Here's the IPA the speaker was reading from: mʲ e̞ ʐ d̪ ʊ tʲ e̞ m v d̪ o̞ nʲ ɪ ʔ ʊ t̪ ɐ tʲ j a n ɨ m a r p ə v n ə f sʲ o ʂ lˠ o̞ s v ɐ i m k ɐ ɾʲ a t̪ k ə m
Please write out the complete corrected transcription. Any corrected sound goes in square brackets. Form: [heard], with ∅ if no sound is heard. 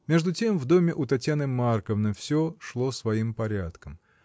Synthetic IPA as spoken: mʲ e̞ ʐ d̪ ʊ tʲ e̞ m v d̪ o̞ [mʲ] ɪ ʔ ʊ t̪ ɐ tʲ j a n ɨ m a r [k] ə v n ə f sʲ o ʂ lˠ o̞ s v ɐ i m [p] ɐ ɾʲ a t̪ k ə m